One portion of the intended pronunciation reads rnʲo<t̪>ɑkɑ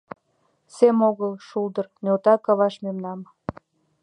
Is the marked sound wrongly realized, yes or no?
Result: no